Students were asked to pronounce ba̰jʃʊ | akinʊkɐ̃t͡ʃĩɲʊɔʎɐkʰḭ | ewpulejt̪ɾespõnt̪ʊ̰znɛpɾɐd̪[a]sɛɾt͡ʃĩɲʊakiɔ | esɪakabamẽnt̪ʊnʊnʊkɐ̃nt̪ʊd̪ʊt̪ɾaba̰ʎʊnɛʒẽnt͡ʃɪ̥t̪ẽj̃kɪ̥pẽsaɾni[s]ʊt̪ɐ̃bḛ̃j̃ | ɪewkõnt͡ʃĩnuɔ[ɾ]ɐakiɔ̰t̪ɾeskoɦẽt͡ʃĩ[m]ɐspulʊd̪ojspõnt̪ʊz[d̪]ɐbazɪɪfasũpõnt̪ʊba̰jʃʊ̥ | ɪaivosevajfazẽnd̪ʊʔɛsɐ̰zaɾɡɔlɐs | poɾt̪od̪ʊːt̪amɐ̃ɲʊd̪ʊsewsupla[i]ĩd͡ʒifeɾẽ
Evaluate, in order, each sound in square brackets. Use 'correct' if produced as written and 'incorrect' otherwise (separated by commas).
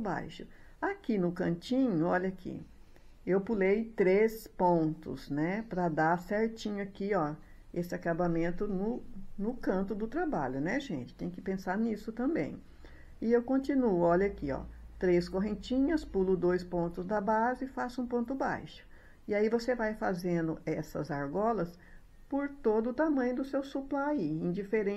correct, correct, incorrect, incorrect, correct, correct